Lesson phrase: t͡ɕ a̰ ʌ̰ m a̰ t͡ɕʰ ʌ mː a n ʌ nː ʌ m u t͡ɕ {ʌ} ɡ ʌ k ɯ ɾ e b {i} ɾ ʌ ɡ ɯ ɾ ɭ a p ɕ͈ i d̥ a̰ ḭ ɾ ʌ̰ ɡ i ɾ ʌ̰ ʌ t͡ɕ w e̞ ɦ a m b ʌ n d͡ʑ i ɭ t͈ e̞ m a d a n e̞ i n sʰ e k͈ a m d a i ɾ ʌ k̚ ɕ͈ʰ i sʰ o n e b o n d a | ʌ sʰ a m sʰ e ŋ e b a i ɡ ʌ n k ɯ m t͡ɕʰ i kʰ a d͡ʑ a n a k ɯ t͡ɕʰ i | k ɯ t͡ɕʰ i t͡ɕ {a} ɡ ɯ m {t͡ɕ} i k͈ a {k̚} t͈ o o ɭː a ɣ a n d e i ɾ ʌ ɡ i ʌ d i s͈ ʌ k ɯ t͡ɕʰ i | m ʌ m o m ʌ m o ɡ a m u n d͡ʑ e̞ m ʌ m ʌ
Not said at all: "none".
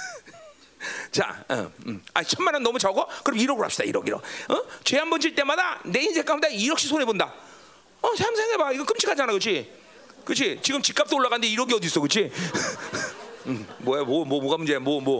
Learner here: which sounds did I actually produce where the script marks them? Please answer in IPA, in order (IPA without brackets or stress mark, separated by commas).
a, i, i, t͡ɕ, p̚